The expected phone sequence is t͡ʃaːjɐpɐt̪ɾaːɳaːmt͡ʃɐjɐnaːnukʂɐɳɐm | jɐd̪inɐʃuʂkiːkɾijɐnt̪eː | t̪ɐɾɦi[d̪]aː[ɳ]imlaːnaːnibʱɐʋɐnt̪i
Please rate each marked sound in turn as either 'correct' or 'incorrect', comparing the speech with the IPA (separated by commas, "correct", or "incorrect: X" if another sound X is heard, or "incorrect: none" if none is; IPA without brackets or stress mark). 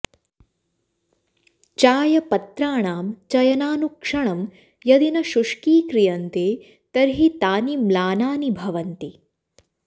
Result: incorrect: t̪, incorrect: n